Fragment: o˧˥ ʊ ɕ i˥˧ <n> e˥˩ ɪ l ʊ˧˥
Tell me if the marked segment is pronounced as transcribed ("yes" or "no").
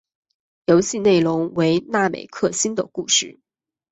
yes